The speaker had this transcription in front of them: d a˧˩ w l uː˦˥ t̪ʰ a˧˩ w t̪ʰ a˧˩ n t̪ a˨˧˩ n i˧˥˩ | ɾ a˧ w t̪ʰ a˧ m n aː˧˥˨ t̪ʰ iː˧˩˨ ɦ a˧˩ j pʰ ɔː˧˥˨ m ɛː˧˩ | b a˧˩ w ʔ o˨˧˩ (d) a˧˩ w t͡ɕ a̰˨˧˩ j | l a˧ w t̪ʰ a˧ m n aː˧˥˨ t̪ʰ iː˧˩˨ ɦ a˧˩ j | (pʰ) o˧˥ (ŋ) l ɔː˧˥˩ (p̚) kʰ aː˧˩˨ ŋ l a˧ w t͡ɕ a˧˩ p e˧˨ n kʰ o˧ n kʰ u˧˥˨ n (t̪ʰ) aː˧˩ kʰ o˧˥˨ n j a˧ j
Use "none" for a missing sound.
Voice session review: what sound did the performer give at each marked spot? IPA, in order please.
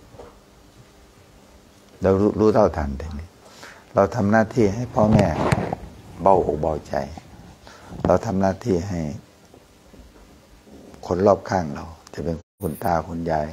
b, kʰ, n, p̚, t̪

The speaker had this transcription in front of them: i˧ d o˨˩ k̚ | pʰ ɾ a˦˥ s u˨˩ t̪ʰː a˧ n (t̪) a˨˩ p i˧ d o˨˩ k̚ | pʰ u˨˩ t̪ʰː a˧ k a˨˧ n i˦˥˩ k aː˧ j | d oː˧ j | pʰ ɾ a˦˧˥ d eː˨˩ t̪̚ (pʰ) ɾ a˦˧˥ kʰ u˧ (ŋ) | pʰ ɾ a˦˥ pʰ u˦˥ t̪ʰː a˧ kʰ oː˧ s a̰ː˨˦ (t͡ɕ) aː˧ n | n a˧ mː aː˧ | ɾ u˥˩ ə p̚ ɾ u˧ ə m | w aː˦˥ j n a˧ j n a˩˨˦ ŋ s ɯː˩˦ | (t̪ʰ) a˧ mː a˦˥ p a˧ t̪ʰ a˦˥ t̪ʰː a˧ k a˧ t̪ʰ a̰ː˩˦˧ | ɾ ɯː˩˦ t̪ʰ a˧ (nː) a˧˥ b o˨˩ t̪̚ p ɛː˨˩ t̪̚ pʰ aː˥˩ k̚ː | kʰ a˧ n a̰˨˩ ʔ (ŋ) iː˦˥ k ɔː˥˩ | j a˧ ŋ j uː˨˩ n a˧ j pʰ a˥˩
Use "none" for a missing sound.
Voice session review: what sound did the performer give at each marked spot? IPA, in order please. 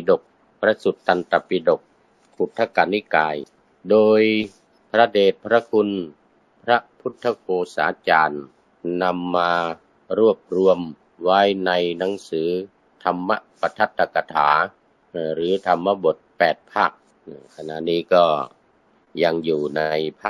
t̪, pʰ, n, t͡ɕ, t̪ʰ, mː, n

